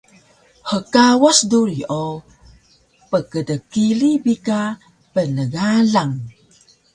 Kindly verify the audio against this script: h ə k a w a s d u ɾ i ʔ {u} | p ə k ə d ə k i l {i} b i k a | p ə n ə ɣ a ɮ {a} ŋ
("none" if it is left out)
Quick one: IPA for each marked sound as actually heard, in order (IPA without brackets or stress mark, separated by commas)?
o, i, a